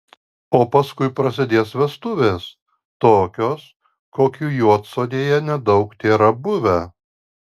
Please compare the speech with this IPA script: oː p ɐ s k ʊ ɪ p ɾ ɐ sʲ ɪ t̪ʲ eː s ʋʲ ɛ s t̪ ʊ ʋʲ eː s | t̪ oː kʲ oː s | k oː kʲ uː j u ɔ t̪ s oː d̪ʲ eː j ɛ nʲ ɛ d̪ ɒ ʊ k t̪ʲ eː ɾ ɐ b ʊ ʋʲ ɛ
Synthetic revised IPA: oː p ɐ s k ʊ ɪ p ɾ ɐ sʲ ɪ d̪ʲ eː s ʋʲ ɛ s t̪ ʊ ʋʲ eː s | t̪ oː kʲ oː s | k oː kʲ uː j u ɔ t̪ s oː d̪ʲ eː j ɛ nʲ ɛ d̪ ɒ ʊ k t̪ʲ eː ɾ ɐ b ʊ ʋʲ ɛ